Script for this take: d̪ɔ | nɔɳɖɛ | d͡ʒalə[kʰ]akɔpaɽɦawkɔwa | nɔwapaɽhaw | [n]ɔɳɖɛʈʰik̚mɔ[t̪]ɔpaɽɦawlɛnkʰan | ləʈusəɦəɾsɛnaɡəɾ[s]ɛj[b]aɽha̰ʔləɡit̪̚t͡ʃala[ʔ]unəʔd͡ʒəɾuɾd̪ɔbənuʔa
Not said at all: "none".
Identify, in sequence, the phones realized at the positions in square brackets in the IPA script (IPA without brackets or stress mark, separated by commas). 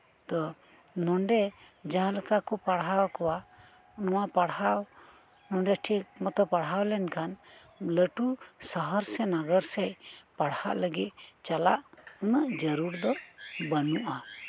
k, n, t̪, s, p, ʔ